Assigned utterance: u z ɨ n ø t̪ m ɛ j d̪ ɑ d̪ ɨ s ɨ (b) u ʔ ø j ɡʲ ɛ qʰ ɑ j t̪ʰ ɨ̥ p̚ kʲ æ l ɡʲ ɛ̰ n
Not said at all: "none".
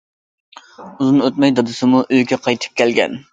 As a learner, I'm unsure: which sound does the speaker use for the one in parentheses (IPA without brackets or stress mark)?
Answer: m